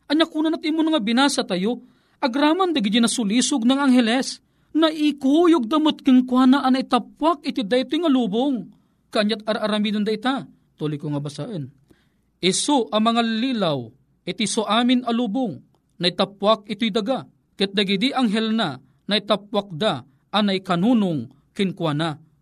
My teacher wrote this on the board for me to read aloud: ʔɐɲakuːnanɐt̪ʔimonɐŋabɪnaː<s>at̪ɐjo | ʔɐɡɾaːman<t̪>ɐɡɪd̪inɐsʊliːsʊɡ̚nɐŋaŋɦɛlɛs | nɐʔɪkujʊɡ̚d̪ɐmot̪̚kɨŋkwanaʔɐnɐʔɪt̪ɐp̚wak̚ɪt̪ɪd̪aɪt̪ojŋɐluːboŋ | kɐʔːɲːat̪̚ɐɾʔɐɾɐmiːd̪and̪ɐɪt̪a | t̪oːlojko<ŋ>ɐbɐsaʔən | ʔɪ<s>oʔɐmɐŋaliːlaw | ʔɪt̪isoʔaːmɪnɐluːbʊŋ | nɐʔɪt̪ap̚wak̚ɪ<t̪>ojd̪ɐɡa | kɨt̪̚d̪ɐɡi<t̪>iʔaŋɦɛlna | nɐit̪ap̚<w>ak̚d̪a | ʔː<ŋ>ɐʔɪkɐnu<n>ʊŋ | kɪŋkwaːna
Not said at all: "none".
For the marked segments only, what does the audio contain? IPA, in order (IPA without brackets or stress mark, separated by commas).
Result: s, d̪, ŋ, s, t̪, d̪, w, n, n